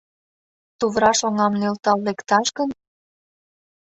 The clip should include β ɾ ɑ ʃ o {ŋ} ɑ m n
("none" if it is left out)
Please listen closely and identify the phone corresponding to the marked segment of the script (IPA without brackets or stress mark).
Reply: ŋ